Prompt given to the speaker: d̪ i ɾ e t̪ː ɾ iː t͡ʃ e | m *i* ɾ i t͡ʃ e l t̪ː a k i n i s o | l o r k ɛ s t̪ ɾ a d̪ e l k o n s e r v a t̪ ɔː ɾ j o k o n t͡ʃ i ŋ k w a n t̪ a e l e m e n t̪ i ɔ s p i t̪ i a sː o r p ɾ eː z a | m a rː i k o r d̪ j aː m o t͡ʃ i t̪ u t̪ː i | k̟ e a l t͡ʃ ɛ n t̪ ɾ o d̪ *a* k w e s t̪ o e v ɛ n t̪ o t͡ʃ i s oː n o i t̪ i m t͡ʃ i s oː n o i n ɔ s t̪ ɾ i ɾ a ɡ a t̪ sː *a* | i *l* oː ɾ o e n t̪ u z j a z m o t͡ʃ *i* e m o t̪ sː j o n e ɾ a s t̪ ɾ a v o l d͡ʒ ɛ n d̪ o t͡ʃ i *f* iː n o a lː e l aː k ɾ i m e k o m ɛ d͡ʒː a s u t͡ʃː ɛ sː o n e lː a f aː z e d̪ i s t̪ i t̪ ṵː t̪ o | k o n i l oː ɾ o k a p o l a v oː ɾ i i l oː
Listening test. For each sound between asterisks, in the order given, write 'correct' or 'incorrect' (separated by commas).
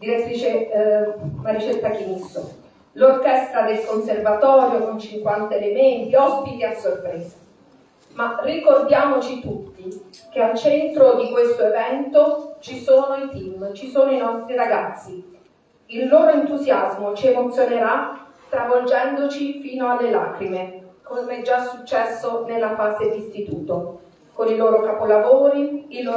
incorrect, incorrect, incorrect, incorrect, correct, correct